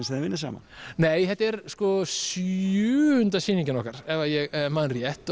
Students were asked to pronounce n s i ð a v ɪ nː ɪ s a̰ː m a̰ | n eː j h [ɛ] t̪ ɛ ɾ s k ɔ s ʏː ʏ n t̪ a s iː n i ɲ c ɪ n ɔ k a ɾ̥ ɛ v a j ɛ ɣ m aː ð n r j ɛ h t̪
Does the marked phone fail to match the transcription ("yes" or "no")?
no